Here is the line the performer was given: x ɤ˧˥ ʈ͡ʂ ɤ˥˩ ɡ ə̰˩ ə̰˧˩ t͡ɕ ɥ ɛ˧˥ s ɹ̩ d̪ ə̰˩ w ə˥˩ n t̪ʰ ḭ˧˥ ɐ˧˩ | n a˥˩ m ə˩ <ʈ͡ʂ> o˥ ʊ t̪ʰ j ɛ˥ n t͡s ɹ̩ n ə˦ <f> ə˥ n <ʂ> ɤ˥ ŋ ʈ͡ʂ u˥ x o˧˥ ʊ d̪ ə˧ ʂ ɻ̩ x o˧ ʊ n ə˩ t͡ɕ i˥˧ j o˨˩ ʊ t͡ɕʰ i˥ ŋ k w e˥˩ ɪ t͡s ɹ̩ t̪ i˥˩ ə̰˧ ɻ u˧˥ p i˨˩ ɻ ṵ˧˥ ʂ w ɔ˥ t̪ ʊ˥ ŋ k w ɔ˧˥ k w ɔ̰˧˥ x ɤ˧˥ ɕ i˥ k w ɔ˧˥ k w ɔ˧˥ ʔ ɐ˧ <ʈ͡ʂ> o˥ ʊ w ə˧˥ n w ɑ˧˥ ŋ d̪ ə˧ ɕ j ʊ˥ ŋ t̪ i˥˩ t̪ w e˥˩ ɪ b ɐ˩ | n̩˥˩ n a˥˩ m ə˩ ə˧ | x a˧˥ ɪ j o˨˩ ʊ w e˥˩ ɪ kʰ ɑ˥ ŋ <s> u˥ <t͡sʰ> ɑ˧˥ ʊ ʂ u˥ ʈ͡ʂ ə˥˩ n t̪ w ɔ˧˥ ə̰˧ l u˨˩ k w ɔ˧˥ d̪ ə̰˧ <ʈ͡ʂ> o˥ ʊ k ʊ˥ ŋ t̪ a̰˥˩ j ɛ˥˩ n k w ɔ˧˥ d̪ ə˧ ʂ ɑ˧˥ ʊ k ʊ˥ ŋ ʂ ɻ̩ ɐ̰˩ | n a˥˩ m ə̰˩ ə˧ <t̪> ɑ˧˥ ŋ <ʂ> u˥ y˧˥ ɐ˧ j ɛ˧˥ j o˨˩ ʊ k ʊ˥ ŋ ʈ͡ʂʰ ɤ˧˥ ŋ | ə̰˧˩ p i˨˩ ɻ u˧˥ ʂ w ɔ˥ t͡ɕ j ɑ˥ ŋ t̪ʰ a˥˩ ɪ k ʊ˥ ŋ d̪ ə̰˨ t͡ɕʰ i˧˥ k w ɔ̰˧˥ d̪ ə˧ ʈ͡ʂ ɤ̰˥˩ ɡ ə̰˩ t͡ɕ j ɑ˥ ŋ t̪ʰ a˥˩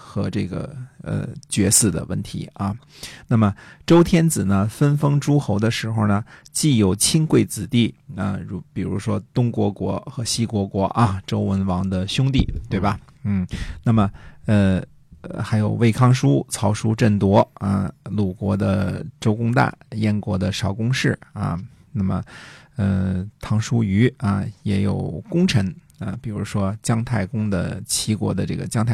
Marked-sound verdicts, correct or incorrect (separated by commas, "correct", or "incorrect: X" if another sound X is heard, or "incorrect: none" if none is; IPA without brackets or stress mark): correct, correct, incorrect: f, correct, incorrect: ʂ, correct, correct, incorrect: t̪ʰ, correct